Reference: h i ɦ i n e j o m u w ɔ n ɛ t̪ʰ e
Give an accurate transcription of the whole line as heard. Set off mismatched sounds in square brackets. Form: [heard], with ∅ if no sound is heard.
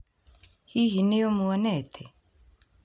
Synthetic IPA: h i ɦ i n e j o m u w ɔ n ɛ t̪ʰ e